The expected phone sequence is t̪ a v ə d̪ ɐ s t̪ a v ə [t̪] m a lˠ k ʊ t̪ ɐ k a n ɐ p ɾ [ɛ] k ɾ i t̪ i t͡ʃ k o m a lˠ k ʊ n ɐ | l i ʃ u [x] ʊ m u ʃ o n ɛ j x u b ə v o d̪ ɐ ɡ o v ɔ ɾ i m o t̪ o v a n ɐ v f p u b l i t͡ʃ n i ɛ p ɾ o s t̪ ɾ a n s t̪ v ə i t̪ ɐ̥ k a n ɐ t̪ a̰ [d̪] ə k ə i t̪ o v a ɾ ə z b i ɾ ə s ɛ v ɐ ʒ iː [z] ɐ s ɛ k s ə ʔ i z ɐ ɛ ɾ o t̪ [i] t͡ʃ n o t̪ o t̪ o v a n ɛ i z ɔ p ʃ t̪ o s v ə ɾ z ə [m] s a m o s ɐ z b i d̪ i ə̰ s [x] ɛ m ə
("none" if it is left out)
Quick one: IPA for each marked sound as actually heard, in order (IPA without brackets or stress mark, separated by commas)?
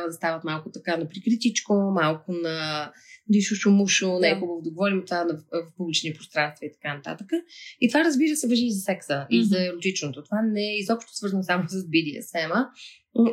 t̪, i, ʃ, t̪, z, i, n, x